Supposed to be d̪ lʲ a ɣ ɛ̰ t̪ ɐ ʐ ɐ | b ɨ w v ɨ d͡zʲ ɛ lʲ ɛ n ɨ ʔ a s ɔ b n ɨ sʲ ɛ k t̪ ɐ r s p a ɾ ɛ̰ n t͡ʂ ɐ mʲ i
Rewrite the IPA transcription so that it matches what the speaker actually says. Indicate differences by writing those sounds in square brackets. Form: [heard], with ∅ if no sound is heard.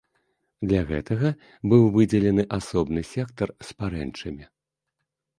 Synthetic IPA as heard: d̪ lʲ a ɣ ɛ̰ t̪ ɐ [ɣ] ɐ | b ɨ w v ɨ d͡zʲ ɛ lʲ ɛ n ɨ ʔ a s ɔ b n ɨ sʲ ɛ k t̪ ɐ r s p a ɾ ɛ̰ n t͡ʂ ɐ mʲ i